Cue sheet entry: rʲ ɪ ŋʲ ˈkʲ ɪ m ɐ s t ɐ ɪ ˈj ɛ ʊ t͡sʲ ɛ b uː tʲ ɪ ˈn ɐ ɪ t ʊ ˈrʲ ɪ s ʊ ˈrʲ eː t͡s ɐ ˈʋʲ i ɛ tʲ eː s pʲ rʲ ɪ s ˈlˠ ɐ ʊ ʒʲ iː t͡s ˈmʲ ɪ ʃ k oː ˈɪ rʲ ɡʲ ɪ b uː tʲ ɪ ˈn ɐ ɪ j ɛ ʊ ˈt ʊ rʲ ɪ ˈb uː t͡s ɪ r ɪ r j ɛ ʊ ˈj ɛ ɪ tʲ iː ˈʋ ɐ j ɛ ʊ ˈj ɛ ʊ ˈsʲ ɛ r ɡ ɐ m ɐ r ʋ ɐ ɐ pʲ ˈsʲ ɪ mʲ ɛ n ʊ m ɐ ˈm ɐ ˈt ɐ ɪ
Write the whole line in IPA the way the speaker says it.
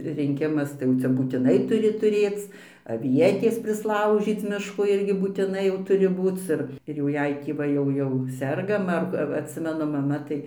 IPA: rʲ ɪ ŋʲ ˈkʲ ɪ m ɐ s t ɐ ɪ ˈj ɛ ʊ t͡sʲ ɛ b uː tʲ ɪ ˈn ɐ ɪ t ʊ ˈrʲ ɪ t ʊ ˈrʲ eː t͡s ɐ ˈʋʲ i ɛ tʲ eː s pʲ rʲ ɪ s ˈlˠ ɐ ʊ ʒʲ iː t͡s ˈmʲ ɪ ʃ k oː ˈɪ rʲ ɡʲ ɪ b uː tʲ ɪ ˈn ɐ ɪ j ɛ ʊ ˈt ʊ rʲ ɪ ˈb uː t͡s ɪ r ɪ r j ɛ ʊ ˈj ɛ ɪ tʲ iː ˈʋ ɐ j ɛ ʊ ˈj ɛ ʊ ˈsʲ ɛ r ɡ ɐ m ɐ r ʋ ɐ ɐ tʲ ˈsʲ ɪ mʲ ɛ n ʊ m ɐ ˈm ɐ ˈt ɐ ɪ